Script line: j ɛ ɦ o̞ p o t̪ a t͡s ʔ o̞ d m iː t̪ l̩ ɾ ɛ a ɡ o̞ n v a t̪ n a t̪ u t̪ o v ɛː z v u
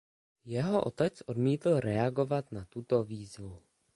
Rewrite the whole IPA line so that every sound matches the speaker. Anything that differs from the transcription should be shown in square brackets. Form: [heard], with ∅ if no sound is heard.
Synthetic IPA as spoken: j ɛ ɦ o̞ [ʔ] o t̪ [ɛ] t͡s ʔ o̞ d m iː t̪ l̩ ɾ ɛ a ɡ o̞ [∅] v a t̪ n a t̪ u t̪ o v [iː] z v u